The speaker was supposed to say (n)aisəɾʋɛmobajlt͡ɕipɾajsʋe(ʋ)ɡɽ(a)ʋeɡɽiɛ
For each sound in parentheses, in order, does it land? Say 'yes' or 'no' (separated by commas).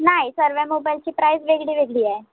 yes, no, no